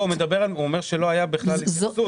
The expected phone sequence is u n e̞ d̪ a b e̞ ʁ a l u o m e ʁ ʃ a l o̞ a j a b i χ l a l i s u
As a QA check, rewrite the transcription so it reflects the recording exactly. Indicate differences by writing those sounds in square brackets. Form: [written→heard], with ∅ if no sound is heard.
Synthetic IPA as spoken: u [n→m] e̞ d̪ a b e̞ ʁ a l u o m e ʁ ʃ [a→e] l o̞ a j a b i χ l a l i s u